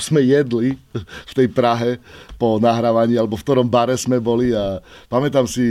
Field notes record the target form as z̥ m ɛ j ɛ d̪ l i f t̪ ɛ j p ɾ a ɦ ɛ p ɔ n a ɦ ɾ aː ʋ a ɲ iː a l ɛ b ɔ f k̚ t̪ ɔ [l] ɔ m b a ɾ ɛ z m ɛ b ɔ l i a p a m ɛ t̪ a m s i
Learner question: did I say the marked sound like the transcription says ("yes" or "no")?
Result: no